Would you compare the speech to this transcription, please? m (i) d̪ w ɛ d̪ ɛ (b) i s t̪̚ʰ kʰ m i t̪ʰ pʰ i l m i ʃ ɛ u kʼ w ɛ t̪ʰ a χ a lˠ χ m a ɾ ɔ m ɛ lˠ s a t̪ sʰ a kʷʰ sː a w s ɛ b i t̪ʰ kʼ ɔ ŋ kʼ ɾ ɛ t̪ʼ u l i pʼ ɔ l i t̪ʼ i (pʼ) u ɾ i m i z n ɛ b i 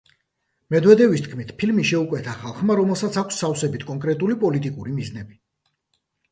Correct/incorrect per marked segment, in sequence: incorrect, incorrect, incorrect

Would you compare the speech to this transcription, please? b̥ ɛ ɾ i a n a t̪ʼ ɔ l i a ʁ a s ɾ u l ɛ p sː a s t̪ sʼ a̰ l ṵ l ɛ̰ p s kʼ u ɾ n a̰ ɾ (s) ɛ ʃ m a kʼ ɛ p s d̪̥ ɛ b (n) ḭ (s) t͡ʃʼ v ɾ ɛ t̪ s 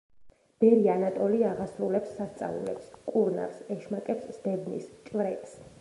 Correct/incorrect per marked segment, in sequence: correct, correct, correct

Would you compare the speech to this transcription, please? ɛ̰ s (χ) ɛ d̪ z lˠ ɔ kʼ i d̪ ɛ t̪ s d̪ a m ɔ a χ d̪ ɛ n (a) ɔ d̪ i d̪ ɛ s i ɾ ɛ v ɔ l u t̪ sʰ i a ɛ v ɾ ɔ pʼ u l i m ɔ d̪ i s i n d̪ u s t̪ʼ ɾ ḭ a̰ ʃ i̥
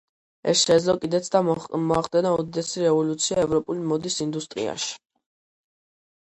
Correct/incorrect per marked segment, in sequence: incorrect, correct

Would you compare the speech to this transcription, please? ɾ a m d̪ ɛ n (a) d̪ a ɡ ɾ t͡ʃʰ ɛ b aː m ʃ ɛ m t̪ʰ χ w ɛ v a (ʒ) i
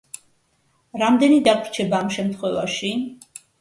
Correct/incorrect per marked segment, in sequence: incorrect, incorrect

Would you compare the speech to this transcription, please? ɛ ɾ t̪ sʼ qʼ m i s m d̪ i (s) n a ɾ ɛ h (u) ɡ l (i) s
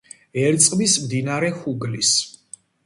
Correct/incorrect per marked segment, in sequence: incorrect, correct, correct

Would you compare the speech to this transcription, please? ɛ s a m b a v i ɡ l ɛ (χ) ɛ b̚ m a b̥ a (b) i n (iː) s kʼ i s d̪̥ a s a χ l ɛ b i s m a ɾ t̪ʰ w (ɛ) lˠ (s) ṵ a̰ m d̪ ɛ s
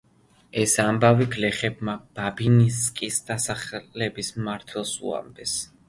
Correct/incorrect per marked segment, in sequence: correct, correct, incorrect, correct, correct

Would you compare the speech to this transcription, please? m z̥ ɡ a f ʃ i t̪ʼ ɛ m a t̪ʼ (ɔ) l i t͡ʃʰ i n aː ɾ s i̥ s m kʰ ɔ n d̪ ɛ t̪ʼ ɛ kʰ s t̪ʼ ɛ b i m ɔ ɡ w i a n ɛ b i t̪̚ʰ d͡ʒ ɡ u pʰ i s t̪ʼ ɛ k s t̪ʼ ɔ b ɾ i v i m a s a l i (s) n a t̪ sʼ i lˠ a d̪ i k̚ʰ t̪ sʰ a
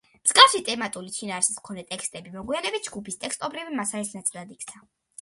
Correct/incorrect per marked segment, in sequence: incorrect, correct

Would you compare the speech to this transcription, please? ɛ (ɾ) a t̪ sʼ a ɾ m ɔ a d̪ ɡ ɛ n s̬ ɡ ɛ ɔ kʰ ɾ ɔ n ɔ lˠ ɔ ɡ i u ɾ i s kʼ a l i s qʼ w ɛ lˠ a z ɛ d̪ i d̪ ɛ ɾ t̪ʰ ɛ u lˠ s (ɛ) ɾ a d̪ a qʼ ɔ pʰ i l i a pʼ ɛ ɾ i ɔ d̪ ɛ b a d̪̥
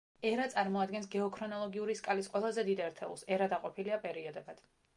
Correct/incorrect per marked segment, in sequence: correct, correct

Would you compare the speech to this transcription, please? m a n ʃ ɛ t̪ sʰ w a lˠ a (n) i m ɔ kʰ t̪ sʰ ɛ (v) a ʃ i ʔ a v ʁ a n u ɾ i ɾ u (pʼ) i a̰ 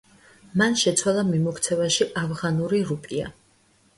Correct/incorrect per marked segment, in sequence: incorrect, correct, correct

